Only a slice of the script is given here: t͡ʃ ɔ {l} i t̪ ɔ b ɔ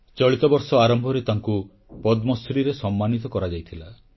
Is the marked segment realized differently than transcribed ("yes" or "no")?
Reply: yes